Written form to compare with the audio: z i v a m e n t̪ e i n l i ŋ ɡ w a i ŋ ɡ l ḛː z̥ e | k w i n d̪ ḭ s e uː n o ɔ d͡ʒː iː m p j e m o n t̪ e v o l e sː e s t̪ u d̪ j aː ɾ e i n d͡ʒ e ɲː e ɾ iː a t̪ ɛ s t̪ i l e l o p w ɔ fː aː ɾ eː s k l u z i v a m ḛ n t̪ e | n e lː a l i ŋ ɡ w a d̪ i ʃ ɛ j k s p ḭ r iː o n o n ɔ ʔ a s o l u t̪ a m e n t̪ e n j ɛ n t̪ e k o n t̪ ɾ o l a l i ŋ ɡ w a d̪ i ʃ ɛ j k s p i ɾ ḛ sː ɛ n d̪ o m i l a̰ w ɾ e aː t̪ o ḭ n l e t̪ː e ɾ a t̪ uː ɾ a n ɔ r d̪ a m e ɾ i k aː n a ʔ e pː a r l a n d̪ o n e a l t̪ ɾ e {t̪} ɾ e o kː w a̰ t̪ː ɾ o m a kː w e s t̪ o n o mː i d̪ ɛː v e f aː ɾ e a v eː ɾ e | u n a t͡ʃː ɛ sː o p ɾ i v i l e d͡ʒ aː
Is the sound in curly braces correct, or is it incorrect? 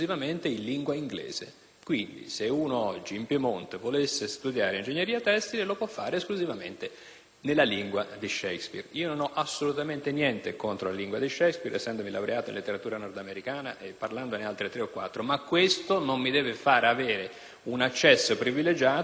correct